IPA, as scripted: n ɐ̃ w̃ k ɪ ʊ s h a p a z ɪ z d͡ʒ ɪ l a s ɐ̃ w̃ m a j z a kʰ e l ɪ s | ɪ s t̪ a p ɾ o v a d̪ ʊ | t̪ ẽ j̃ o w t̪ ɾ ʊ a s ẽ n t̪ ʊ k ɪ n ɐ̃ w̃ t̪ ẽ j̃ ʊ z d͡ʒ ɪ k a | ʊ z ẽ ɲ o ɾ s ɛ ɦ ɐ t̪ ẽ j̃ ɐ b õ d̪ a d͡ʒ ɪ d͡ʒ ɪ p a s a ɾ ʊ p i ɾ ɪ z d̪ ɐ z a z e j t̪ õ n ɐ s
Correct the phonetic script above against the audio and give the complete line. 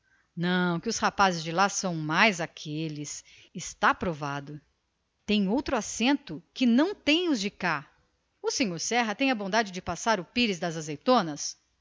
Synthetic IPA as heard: n ɐ̃ w̃ k ɪ ʊ s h a p a z ɪ z d͡ʒ ɪ l a s ɐ̃ w̃ m a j z a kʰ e l ɪ s | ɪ s t̪ a p ɾ o v a d̪ ʊ | t̪ ẽ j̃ o w t̪ ɾ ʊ a s ẽ n t̪ ʊ k ɪ n ɐ̃ w̃ t̪ ẽ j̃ ʊ z d͡ʒ ɪ k a | ʊ s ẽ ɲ o ɾ s ɛ ɦ ɐ t̪ ẽ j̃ ɐ b õ d̪ a d͡ʒ ɪ d͡ʒ ɪ p a s a ɾ ʊ p i ɾ ɪ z d̪ ɐ z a z e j t̪ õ n ɐ s